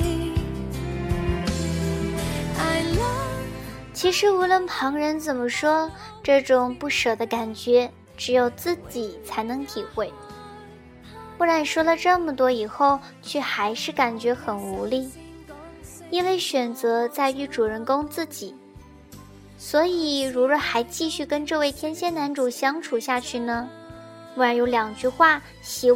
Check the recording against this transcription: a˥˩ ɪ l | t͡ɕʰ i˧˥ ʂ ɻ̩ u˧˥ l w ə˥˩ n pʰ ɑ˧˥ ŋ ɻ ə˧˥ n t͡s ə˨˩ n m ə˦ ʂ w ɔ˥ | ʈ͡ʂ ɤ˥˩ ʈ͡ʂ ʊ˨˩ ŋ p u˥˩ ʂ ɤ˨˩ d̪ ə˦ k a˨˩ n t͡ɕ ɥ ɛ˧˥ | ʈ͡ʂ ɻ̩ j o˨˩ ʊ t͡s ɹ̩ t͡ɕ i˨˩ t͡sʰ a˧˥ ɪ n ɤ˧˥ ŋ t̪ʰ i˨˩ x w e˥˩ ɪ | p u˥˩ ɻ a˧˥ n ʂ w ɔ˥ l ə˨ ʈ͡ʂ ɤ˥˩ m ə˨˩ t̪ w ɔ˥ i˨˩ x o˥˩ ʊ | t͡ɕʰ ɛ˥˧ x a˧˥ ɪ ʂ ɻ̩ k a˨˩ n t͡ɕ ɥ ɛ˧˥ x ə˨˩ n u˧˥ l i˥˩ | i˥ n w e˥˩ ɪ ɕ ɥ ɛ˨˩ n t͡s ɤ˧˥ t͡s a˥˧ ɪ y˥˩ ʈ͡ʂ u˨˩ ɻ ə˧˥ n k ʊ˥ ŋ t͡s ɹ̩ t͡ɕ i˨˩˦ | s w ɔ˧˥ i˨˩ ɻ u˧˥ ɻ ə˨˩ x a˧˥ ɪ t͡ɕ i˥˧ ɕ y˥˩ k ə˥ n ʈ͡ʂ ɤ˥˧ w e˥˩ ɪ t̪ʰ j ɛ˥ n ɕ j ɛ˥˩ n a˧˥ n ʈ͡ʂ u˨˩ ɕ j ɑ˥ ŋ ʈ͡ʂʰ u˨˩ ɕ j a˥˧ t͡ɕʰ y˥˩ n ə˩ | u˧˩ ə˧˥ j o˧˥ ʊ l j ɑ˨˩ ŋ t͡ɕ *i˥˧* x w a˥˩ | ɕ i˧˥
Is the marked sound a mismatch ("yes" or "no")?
yes